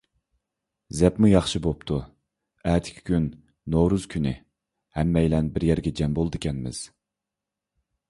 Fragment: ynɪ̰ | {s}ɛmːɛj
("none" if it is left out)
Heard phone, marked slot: h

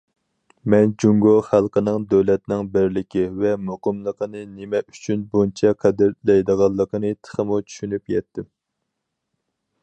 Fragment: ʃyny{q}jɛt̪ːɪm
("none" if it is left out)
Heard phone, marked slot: p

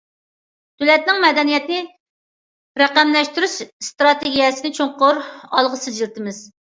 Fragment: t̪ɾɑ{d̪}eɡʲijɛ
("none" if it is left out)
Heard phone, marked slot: t̪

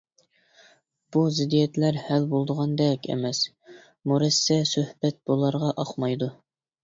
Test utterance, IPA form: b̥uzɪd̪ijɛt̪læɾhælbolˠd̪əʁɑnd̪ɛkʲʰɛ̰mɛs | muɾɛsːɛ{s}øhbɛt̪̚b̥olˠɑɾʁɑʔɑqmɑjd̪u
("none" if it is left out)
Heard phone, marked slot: s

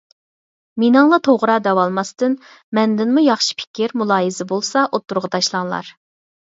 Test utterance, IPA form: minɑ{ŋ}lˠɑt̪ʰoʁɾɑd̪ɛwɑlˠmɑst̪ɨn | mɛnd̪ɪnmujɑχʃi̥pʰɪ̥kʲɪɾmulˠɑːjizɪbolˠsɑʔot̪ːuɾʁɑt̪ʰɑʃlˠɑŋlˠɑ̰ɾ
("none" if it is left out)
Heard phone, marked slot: ŋ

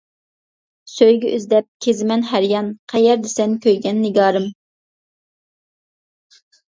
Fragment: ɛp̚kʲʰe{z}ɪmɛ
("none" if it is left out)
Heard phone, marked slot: z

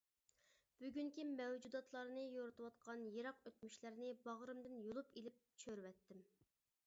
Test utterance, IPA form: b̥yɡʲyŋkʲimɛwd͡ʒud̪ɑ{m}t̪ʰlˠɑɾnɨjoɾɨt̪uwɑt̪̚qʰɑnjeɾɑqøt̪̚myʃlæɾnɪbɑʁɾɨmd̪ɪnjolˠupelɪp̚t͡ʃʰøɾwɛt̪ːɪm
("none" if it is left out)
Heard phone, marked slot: none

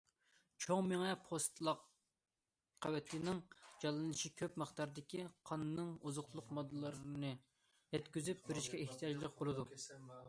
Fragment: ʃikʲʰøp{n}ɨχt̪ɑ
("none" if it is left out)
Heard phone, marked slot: m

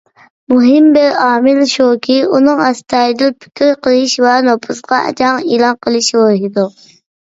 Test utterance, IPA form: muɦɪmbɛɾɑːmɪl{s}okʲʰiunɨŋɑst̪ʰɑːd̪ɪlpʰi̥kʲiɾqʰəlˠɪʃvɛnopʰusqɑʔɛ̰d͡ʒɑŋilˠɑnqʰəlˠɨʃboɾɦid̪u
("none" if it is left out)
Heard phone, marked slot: ʃ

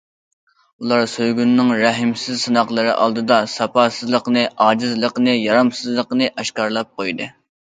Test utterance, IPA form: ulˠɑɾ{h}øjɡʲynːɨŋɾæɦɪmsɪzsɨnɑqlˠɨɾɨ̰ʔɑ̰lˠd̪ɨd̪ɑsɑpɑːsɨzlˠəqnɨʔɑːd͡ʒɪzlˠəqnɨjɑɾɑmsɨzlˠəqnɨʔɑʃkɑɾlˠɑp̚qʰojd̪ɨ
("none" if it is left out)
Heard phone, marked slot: s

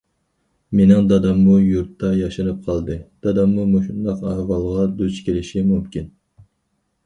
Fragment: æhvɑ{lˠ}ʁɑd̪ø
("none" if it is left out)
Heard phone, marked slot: lˠ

